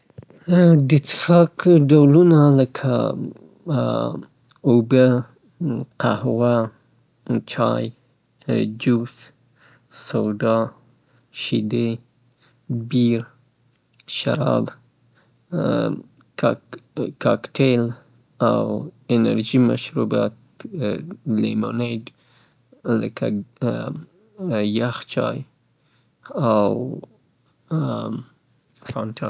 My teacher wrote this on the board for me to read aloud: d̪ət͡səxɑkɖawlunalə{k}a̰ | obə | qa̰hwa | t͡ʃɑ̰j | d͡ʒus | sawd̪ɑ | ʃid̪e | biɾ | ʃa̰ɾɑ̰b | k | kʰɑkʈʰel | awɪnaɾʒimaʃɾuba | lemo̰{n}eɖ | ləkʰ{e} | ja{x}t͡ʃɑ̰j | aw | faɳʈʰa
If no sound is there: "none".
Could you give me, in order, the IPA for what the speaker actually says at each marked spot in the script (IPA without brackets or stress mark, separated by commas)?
kʰ, n, a, x